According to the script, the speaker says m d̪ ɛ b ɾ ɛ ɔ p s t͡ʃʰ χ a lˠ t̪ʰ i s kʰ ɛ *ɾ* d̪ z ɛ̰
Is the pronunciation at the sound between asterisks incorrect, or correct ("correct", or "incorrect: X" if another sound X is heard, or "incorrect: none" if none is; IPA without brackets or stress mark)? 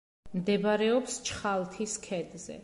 incorrect: none